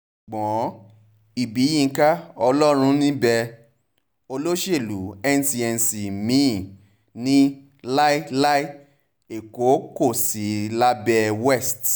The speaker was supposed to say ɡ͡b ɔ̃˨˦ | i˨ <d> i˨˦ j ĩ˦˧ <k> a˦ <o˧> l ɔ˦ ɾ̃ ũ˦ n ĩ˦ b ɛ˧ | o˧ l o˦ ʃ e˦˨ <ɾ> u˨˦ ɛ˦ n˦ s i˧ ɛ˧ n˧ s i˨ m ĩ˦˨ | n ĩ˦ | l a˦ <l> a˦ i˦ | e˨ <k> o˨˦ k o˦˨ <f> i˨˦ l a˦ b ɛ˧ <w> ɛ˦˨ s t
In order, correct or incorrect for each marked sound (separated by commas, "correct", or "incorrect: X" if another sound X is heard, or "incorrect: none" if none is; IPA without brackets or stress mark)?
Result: incorrect: b, correct, incorrect: ɔ˧, incorrect: l, correct, correct, incorrect: s, correct